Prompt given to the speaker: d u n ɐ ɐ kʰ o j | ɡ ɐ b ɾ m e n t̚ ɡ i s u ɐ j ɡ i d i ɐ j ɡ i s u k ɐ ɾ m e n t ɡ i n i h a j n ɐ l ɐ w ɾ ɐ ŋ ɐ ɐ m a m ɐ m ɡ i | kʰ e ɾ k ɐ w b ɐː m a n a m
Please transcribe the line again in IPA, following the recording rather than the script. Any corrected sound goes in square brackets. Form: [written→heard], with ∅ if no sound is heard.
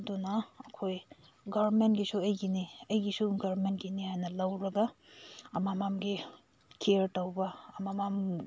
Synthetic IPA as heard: d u n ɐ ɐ kʰ o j | ɡ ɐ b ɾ m e n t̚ ɡ i s u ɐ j ɡ i [d→n] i ɐ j ɡ i s u [k→ɡ] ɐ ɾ m e n t ɡ i n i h a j n ɐ l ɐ w ɾ ɐ [ŋ→ɡ] ɐ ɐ m a m [ɐ→a] m ɡ i | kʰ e ɾ [k→t] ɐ w b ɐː m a [n→m] a m